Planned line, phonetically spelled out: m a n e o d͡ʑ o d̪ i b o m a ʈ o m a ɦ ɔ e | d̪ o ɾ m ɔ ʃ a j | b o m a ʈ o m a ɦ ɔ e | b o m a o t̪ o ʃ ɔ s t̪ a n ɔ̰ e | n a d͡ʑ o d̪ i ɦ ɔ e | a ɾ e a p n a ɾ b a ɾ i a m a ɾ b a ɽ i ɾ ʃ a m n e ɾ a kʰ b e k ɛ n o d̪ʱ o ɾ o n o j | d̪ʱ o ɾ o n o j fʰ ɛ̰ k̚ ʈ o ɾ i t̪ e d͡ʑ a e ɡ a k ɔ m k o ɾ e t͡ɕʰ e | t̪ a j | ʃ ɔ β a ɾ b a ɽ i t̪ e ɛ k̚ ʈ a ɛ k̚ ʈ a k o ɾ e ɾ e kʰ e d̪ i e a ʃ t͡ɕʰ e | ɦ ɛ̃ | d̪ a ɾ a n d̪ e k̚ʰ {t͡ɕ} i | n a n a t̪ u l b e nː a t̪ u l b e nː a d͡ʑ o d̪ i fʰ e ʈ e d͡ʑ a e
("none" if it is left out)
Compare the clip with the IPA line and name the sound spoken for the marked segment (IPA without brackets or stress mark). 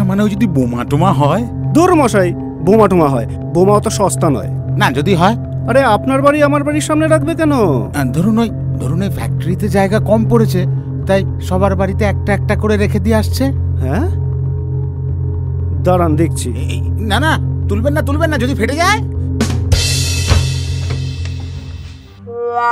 t͡ɕʰ